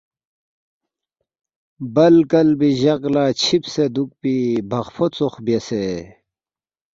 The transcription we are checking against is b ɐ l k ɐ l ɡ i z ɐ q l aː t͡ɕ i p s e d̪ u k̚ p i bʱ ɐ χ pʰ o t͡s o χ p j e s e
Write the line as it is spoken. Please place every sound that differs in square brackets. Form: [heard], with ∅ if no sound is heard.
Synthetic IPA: b ɐ l k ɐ l [b] i [ʑ] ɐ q l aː [t͡ɕʰ] i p s e d̪ u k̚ p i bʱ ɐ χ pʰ o t͡s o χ [b] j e s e